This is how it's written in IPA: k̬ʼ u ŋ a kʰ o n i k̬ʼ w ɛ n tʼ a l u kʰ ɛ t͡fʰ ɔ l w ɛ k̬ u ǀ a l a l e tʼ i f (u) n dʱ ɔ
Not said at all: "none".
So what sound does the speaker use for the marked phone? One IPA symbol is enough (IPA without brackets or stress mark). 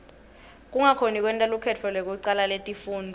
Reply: uː